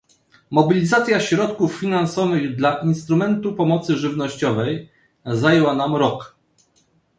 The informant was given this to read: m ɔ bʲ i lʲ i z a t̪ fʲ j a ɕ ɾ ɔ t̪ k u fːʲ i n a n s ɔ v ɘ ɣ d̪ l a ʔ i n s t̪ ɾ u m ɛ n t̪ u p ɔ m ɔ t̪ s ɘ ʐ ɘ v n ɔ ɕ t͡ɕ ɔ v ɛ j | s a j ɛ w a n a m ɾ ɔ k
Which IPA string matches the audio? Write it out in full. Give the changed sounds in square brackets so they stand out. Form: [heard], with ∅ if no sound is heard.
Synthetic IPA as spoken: m ɔ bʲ i lʲ i z a t̪ [sʲ] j a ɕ ɾ ɔ t̪ k u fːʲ i n a n s ɔ v ɘ ɣ d̪ l a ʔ i n s t̪ ɾ u m ɛ n t̪ u p ɔ m ɔ t̪ s ɘ ʐ ɘ v n ɔ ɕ t͡ɕ ɔ v ɛ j | [z] a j ɛ w a n a m ɾ ɔ k